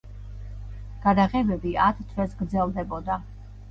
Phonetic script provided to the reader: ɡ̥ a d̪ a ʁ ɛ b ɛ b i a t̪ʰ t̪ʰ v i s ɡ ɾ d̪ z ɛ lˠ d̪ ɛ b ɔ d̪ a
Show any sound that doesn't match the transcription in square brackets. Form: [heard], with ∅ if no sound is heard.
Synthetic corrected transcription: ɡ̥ a d̪ a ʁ ɛ b ɛ b i a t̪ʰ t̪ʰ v [ɛ] s ɡ ɾ d̪ z ɛ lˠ d̪ ɛ b ɔ d̪ a